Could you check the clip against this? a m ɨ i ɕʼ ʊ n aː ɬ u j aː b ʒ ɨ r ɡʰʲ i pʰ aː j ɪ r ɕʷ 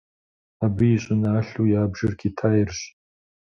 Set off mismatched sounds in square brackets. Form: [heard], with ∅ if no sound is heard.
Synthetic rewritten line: a [b] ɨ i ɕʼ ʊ n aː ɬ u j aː b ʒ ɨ r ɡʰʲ i [tʰ] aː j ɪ r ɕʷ